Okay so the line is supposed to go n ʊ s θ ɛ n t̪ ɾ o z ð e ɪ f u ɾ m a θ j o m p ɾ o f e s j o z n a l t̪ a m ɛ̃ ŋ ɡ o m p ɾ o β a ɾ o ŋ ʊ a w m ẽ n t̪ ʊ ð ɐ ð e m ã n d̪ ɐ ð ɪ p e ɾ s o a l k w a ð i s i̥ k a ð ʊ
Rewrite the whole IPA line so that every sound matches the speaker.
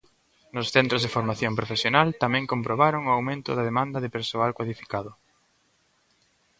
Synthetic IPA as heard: n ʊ s θ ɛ n t̪ ɾ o z ð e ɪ f o ɾ m a θ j o m p ɾ o f e s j o n a l t̪ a m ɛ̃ ŋ k o m p ɾ o β a ɾ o ŋ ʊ a w m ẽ n t̪ ʊ ð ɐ ð e m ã n d̪ ɐ ð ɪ p e ɾ s o a l k w a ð i f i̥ k a ð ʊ